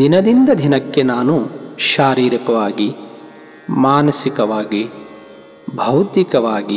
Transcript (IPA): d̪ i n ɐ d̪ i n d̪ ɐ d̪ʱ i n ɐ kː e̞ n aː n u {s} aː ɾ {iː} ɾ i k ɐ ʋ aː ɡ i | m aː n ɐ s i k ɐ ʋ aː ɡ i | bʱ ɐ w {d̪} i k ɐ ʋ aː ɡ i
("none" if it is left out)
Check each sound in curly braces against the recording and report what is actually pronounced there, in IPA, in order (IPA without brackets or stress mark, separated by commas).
ʃ, iː, t̪